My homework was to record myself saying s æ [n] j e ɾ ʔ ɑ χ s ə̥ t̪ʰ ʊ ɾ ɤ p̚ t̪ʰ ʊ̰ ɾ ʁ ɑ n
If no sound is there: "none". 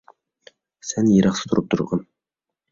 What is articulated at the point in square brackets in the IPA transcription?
n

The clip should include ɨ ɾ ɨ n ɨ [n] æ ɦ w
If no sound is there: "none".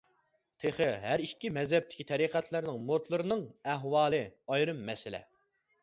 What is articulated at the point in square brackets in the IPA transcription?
ŋ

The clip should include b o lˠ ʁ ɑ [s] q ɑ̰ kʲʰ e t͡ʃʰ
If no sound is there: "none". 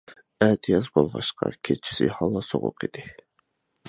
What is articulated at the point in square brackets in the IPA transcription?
ʃ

